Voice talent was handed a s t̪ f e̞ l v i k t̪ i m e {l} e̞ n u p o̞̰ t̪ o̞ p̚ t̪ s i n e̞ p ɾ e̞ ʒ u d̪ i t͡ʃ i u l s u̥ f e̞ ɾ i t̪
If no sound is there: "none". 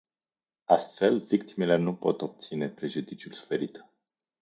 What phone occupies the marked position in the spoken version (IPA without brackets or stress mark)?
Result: l